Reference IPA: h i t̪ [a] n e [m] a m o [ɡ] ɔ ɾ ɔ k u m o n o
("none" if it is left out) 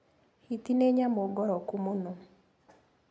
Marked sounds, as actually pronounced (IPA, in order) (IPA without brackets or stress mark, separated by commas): i, ɲ, ɡ